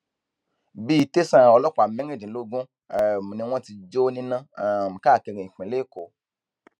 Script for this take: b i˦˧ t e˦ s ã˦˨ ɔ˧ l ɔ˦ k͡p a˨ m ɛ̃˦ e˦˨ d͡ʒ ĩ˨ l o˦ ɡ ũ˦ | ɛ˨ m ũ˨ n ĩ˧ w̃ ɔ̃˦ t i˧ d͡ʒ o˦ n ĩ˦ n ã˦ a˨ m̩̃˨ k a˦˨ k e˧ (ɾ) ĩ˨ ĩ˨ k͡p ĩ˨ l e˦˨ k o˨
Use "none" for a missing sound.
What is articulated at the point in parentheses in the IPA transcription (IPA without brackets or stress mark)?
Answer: ɾ